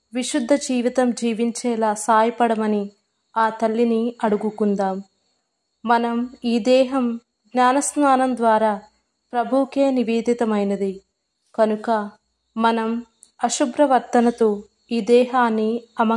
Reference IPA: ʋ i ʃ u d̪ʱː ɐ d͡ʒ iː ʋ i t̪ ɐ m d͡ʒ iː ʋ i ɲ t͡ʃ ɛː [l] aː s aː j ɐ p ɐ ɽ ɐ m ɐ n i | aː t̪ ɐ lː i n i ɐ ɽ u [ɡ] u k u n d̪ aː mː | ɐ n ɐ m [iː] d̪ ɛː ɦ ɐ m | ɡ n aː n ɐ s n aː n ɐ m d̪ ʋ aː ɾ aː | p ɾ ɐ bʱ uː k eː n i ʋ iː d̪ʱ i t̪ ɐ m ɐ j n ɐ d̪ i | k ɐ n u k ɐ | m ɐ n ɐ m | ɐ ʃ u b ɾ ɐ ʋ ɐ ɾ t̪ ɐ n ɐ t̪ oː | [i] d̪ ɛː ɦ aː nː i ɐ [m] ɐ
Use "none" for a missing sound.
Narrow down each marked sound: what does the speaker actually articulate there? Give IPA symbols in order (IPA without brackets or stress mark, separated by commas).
l, ɡ, iː, iː, m